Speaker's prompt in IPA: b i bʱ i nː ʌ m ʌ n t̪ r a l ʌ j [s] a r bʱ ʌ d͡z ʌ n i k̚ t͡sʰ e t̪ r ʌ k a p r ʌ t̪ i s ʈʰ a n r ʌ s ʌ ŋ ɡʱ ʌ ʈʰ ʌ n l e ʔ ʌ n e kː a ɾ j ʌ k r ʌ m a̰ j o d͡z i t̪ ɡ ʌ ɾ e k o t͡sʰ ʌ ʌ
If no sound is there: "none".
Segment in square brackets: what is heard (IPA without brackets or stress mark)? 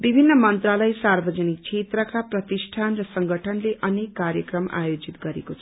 s